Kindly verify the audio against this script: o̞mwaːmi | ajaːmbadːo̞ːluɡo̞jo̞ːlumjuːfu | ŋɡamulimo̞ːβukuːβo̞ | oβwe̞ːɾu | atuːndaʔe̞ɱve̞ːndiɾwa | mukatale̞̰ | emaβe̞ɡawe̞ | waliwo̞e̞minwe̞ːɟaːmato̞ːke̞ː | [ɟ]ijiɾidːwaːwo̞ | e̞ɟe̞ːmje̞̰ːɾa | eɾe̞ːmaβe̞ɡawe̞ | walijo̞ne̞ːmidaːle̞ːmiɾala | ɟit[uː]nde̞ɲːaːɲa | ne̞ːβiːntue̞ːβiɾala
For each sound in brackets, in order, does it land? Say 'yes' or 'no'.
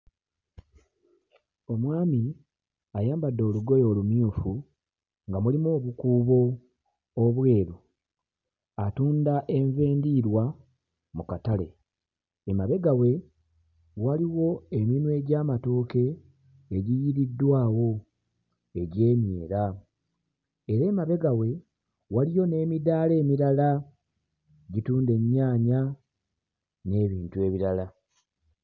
yes, yes

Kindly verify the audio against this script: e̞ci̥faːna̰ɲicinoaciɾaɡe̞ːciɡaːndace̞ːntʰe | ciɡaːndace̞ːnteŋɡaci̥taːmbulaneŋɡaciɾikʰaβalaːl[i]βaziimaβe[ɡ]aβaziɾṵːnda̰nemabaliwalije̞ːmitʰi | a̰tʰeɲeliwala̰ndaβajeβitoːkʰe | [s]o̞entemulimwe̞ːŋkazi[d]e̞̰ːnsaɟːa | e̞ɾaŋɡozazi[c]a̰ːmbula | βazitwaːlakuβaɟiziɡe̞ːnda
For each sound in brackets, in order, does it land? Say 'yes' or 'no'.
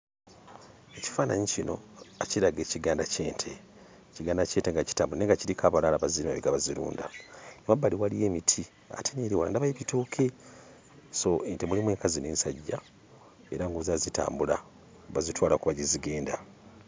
no, yes, yes, no, no

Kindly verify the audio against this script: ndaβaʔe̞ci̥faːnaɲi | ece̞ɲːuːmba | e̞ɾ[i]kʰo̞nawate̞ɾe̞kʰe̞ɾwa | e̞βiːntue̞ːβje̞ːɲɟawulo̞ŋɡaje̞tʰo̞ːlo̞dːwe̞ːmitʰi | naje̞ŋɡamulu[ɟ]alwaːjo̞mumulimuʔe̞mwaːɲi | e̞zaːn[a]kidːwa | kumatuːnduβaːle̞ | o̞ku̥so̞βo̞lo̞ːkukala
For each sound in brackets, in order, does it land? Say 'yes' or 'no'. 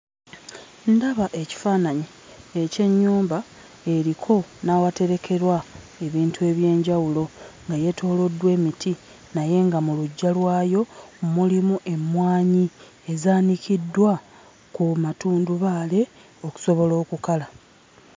yes, no, no

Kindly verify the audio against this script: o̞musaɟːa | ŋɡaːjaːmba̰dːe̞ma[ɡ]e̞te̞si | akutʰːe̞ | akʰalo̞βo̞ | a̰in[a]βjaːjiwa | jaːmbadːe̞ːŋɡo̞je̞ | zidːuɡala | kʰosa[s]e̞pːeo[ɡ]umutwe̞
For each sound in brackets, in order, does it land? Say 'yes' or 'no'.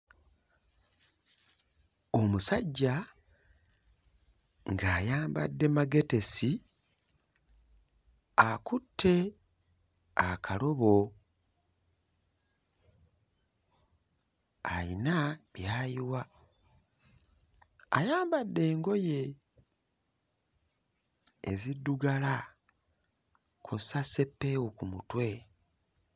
yes, yes, yes, no

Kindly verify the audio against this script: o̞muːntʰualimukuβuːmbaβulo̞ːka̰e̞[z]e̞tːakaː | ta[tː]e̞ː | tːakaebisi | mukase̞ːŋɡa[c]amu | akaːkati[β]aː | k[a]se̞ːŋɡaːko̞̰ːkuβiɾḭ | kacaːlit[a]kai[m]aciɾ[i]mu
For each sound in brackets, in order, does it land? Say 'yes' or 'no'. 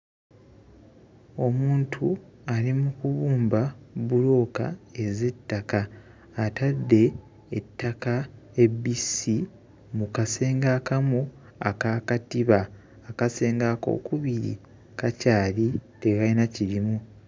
yes, no, no, yes, yes, no, no, yes

